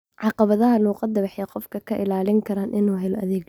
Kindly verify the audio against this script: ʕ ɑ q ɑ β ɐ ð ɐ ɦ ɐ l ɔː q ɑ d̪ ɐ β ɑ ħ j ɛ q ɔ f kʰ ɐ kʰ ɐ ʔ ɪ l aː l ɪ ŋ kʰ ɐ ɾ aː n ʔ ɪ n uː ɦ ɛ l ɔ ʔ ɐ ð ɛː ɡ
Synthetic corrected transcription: ʕ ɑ q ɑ β ɐ ð ɐ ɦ ɐ l uː q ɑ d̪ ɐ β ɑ ħ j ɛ q ɔ f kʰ ɐ kʰ ɐ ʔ ɪ l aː l ɪ ŋ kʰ ɐ ɾ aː n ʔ ɪ n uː ɦ ɛ l ɔ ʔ ɐ ð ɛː ɡ